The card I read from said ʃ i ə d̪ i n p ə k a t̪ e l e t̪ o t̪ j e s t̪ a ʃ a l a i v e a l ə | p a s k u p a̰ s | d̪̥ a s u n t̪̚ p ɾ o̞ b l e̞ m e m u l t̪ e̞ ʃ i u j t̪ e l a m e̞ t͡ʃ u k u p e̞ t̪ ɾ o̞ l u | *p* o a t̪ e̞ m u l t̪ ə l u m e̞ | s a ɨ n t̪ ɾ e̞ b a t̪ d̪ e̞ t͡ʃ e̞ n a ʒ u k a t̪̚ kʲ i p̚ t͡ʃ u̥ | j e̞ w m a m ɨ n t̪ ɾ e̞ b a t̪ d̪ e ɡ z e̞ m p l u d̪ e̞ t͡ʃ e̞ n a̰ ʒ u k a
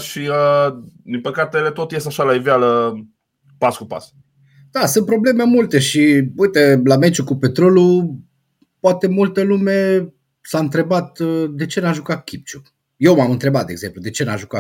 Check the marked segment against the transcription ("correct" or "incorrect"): correct